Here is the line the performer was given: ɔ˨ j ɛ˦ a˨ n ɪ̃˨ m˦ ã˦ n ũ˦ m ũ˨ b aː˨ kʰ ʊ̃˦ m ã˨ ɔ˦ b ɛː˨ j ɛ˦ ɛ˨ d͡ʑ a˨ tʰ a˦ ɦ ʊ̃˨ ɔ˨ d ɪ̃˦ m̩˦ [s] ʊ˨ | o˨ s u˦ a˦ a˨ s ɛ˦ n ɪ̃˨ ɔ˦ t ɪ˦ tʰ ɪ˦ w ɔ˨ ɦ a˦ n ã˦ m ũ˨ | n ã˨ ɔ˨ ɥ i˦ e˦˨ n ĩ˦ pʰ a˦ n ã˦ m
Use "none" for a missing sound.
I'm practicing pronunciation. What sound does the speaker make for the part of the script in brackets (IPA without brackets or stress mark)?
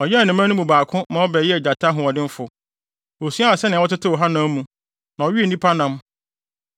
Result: f